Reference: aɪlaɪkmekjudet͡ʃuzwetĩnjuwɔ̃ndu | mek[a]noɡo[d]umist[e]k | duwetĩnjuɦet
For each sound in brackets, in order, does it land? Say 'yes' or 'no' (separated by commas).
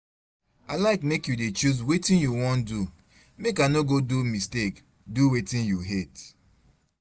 yes, yes, yes